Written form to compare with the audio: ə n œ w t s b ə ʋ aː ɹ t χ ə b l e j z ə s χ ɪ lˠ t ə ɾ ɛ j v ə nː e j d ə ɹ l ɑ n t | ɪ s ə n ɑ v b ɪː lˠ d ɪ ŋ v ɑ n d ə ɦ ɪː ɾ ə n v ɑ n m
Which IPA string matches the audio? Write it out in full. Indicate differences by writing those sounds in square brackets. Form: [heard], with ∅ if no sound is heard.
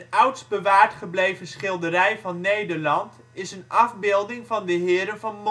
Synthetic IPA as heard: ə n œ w t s b ə ʋ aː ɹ t χ ə b l e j [v] ə s χ ɪ lˠ [d] ə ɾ ɛ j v [ɑ] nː e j d ə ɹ l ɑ n t | ɪ s ə n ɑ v b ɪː lˠ d ɪ ŋ v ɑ n d ə ɦ ɪː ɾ ə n v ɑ n m